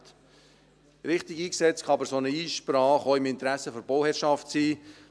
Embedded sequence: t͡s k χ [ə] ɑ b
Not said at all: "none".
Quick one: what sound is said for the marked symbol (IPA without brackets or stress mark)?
ɑ